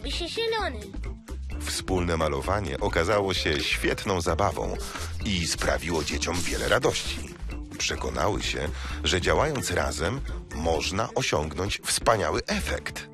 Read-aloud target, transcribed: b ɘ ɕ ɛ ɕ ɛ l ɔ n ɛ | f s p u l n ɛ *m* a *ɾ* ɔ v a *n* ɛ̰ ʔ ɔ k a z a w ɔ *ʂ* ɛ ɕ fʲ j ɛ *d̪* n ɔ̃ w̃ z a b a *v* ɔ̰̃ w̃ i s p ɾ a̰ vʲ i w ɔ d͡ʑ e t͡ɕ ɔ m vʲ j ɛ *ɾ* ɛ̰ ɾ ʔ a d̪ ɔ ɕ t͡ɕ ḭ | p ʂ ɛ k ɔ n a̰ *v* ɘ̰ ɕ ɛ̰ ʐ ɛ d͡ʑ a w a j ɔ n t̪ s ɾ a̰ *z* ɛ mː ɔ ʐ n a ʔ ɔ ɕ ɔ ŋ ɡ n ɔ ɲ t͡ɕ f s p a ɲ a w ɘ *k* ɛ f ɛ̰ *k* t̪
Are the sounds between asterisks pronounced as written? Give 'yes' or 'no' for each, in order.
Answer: yes, no, no, no, no, yes, no, no, yes, no, yes

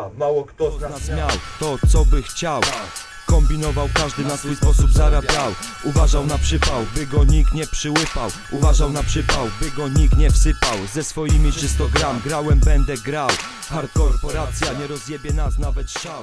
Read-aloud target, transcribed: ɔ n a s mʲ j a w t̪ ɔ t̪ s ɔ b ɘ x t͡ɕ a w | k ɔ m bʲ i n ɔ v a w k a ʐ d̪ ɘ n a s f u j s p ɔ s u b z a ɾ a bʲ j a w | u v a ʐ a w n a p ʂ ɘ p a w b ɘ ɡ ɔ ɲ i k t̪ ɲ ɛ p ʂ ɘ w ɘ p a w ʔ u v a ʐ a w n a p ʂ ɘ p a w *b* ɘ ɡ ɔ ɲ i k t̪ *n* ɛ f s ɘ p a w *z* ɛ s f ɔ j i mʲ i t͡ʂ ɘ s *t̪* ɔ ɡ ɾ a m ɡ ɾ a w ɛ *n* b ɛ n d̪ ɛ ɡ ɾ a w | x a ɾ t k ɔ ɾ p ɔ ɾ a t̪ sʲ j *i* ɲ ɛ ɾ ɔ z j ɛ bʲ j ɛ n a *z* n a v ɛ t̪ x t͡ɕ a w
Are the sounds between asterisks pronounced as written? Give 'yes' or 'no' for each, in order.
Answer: yes, no, yes, yes, no, no, no

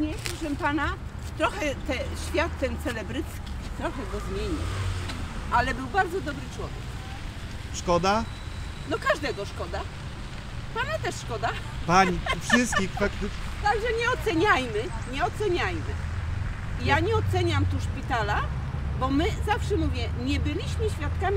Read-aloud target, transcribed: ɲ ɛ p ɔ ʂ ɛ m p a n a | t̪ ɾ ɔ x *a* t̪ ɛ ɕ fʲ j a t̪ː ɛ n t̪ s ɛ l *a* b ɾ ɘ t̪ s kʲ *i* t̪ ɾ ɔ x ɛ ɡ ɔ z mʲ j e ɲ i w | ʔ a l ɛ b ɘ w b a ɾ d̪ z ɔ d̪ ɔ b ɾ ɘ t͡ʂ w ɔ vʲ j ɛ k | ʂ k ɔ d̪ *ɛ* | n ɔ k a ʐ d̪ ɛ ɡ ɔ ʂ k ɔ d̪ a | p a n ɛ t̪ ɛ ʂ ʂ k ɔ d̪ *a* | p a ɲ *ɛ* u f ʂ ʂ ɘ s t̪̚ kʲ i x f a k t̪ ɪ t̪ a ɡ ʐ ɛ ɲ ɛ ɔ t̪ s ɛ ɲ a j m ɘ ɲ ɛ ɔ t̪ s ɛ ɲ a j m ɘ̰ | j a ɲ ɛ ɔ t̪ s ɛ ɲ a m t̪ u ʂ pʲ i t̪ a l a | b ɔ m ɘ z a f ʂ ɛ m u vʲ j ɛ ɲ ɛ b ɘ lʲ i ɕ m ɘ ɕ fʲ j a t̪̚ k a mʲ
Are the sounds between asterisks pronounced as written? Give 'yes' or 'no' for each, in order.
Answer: no, no, yes, no, yes, no

